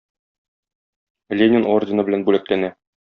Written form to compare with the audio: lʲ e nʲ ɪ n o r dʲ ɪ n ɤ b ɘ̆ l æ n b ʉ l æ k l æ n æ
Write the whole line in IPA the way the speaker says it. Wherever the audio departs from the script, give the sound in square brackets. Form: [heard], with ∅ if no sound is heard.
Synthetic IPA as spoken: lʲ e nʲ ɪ n o r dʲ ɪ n ɤ b ɘ̆ l æ n b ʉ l æ k l æ n æ